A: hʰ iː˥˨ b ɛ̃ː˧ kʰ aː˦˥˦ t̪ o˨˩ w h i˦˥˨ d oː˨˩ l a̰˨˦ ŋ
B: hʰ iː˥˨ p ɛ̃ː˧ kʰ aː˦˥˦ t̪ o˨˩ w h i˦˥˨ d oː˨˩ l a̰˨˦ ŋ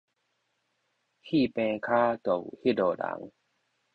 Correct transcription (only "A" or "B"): B